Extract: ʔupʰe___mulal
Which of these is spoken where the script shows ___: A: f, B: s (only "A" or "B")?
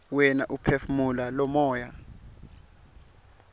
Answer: A